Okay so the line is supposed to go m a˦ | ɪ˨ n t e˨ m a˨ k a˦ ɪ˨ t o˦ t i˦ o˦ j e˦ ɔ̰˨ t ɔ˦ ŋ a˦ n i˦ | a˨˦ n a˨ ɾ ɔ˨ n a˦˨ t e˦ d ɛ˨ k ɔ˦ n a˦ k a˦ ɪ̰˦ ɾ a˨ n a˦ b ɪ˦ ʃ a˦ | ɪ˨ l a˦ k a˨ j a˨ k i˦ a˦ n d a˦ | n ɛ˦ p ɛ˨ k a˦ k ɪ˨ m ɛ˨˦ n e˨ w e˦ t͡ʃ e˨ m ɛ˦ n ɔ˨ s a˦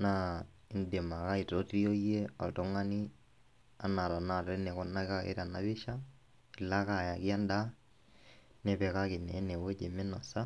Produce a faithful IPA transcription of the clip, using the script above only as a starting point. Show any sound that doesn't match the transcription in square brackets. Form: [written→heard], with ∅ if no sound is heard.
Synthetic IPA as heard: [m→n] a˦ | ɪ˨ n [t→d] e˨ m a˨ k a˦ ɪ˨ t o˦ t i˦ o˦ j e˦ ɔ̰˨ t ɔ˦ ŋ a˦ n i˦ | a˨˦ n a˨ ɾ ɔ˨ n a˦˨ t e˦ [d→n] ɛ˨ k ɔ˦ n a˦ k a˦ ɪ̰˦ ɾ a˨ n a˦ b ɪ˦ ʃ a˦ | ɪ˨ l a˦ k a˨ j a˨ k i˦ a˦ n d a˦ | n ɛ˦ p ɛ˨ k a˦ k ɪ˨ [m→n] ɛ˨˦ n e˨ w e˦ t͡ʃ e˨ m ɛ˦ n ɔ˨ s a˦